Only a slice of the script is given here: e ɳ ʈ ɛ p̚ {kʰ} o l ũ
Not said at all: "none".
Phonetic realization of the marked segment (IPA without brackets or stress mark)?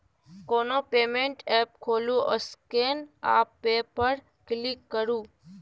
kʰ